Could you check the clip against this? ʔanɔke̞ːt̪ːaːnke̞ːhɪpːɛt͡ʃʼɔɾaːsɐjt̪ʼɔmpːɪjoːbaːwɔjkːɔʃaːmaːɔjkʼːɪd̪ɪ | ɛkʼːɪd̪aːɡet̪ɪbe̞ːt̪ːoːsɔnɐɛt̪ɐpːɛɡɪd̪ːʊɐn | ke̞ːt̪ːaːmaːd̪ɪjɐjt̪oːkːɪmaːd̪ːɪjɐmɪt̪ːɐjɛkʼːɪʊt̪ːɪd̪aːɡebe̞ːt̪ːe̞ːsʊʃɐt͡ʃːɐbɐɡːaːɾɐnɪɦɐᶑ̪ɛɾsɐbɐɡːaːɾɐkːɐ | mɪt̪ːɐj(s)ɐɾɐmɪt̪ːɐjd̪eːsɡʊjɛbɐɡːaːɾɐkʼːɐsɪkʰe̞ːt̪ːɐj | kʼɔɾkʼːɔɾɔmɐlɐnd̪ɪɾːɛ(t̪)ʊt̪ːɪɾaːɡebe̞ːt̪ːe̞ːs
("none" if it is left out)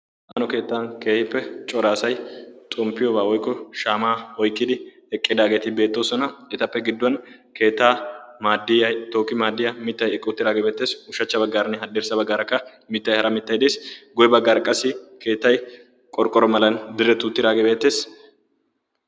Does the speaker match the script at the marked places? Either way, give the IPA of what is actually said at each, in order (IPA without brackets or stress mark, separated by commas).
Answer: h, t̪